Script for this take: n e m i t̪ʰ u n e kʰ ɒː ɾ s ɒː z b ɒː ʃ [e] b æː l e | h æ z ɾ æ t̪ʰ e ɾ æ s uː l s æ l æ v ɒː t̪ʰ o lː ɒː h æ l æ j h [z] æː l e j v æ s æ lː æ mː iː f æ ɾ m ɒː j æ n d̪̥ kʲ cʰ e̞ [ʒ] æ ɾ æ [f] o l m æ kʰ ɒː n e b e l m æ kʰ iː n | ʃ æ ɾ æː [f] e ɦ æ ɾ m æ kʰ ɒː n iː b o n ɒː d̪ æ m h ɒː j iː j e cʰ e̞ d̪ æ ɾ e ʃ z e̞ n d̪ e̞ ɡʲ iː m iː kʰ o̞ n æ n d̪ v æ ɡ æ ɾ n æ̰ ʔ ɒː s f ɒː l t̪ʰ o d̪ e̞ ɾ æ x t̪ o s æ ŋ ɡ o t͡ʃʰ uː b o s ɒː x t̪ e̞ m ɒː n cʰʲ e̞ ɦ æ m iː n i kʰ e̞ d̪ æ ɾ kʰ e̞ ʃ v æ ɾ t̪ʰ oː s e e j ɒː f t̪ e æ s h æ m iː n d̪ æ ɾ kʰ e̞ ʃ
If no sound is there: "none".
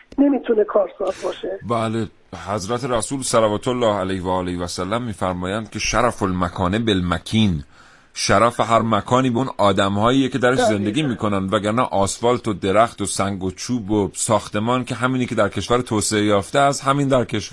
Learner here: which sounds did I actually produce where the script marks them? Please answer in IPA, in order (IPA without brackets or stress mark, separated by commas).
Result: e, v, ʃ, f, f